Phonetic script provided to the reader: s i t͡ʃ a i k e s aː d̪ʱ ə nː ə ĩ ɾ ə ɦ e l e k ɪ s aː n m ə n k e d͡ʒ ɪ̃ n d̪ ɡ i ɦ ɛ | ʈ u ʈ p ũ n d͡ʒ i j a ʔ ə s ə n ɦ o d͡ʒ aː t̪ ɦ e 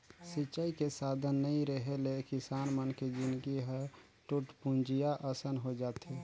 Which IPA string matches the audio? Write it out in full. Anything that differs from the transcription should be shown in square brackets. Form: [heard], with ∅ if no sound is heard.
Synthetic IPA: s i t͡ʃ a i k e s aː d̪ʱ ə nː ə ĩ ɾ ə ɦ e l e k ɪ s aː n m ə n k e d͡ʒ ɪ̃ n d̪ ɡ i ɦ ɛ | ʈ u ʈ p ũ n d͡ʒ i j a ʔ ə s ə n ɦ o d͡ʒ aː t̪ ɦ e